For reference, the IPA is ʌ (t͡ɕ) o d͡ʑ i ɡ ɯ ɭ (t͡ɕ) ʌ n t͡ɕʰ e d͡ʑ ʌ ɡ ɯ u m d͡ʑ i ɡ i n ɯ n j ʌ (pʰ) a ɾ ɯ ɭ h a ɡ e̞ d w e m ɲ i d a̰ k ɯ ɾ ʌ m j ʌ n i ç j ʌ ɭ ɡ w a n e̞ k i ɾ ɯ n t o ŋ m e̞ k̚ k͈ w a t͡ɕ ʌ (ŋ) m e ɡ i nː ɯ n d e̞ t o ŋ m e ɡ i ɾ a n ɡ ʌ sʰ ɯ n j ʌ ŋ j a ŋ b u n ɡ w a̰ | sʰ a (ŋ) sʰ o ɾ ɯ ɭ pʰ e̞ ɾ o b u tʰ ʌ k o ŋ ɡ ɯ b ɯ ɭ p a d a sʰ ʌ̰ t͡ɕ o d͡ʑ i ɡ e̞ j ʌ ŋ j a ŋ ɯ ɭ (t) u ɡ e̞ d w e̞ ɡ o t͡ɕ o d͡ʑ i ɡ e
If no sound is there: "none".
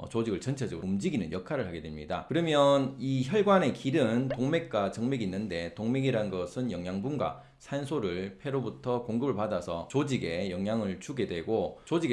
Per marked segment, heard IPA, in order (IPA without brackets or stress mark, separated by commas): t͡ɕ, t͡ɕ, kʰ, ŋ, n, t͡ɕ